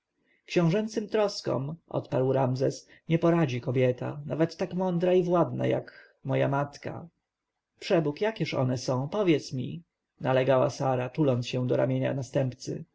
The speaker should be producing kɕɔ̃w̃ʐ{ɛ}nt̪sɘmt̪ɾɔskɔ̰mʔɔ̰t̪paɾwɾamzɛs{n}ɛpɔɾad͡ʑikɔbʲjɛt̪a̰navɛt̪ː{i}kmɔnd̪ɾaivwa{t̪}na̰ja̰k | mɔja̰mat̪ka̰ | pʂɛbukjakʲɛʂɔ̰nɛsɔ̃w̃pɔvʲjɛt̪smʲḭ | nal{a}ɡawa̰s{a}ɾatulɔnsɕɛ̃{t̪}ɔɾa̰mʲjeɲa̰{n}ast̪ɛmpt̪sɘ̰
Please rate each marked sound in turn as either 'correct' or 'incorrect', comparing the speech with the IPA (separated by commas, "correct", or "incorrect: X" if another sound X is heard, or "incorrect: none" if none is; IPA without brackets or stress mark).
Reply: correct, incorrect: ɲ, incorrect: a, incorrect: d̪, incorrect: ɛ, correct, incorrect: d̪, correct